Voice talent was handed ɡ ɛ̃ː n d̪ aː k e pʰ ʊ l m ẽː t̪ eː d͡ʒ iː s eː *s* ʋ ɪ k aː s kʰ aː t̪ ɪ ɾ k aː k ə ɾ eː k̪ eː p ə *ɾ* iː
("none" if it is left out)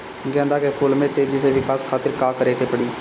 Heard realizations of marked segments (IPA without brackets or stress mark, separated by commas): none, ɽ